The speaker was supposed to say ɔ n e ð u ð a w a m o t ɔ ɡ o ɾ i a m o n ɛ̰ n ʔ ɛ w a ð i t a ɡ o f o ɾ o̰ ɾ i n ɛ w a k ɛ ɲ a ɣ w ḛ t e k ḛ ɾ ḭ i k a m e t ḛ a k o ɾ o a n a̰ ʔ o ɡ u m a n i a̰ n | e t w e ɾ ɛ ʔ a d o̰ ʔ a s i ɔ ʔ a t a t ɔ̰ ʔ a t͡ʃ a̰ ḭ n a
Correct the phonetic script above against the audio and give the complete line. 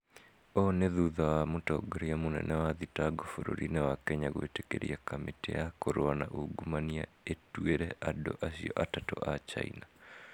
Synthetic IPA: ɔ n e ð u ð a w a m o t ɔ ɡ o ɾ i a m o n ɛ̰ n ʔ ɛ w a ð i t a ɡ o f o ɾ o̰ ɾ i n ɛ w a k ɛ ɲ a ɣ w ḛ t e k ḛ ɾ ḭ a k a m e t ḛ a k o ɾ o a n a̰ ʔ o ɡ u m a n i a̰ | e t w e ɾ ɛ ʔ a d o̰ ʔ a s i ɔ ʔ a t a t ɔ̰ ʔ a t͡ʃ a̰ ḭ n a